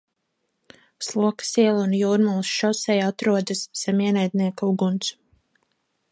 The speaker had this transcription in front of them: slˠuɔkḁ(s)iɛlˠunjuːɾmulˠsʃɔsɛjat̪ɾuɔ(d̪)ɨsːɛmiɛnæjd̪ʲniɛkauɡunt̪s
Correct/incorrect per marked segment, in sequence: correct, correct

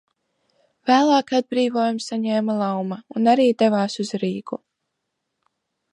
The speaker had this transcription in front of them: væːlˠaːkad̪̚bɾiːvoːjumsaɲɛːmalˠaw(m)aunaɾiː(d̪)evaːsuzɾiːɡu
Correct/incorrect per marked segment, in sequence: correct, correct

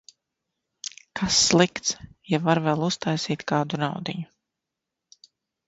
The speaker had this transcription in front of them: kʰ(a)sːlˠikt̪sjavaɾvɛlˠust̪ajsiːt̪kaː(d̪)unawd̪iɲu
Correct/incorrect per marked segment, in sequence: correct, correct

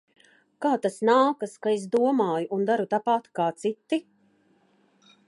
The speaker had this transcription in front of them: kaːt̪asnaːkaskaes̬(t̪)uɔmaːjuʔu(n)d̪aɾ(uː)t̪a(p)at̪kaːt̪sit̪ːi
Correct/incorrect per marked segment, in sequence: incorrect, correct, incorrect, correct

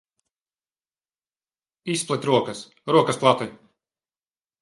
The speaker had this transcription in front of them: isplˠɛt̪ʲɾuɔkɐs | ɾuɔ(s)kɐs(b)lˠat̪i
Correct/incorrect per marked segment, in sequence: incorrect, incorrect

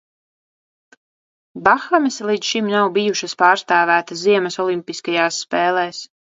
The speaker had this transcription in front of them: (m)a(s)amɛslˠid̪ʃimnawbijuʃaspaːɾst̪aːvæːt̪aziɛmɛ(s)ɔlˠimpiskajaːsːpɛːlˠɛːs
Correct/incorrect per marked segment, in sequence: incorrect, incorrect, correct

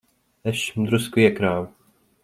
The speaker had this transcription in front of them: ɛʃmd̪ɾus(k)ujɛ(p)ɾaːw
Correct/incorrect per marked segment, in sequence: correct, incorrect

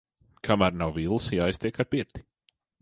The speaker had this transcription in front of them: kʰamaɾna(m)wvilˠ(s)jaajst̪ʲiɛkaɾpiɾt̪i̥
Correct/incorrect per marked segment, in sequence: incorrect, correct

